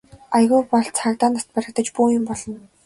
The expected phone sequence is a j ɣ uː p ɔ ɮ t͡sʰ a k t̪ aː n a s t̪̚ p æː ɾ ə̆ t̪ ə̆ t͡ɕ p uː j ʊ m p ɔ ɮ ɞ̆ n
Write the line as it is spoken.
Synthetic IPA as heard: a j ɣ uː p ɔ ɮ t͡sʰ a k t̪ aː n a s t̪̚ p æ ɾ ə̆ t̪ ə̆ t͡ɕ p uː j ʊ m p ɔ ɮ ɞ̆ n